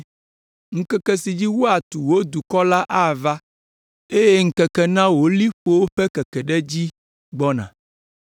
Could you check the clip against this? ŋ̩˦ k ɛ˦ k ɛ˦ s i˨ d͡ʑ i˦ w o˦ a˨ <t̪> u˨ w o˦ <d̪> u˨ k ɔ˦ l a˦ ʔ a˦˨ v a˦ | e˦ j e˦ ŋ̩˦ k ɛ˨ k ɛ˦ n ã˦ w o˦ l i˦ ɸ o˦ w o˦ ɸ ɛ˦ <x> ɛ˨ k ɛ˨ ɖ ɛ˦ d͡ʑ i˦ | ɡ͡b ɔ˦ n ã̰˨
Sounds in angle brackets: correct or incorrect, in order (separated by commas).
correct, correct, incorrect